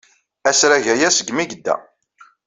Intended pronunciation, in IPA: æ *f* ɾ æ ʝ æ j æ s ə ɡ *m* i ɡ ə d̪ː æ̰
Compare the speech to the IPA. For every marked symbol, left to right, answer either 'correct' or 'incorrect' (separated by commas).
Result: incorrect, correct